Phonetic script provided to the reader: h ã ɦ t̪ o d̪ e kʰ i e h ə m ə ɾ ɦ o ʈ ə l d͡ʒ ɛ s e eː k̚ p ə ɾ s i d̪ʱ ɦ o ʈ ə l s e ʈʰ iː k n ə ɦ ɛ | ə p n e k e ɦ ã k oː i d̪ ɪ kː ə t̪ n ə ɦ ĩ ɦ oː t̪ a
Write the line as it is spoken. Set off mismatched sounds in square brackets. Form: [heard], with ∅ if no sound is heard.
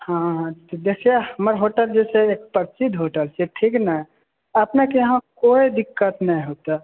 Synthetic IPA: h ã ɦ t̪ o d̪ e kʰ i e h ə m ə ɾ ɦ o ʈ ə l d͡ʒ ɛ s e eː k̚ p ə ɾ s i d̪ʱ ɦ o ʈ ə l s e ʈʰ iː k n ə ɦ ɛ | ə p n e k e ɦ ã k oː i d̪ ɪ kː ə t̪ n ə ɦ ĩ ɦ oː t̪ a